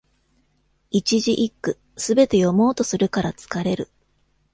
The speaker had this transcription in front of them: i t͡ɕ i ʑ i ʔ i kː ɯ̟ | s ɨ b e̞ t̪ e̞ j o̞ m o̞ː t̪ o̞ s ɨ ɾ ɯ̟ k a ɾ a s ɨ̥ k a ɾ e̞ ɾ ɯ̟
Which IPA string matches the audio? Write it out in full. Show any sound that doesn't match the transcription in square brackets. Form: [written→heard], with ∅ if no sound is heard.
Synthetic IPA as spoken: i t͡ɕ i ʑ i ʔ i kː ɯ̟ | s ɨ b e̞ t̪ e̞ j o̞ m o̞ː t̪ o̞ s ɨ ɾ ɯ̟ k a ɾ a [s→t͡s] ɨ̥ k a ɾ e̞ ɾ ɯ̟